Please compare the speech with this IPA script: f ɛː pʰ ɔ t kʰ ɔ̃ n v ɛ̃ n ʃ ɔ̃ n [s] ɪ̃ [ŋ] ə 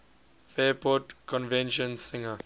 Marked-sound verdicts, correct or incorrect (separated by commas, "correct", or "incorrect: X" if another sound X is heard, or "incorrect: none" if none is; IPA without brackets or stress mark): correct, correct